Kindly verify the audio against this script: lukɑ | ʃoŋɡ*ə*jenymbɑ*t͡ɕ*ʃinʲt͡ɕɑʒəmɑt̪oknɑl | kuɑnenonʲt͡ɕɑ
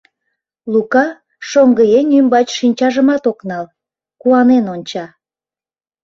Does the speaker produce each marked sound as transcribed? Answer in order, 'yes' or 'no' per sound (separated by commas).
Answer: yes, yes